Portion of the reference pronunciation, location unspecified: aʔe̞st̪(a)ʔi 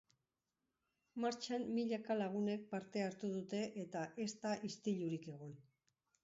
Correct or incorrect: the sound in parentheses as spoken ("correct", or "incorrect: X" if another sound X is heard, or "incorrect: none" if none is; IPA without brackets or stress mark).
correct